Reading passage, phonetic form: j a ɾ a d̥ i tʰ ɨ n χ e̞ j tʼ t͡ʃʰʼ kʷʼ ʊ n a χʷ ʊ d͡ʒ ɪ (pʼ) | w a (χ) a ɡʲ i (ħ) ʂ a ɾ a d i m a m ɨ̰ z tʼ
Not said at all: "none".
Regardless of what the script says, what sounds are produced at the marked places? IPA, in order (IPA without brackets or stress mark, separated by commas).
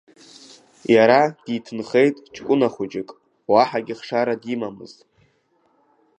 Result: kʼ, ħ, χ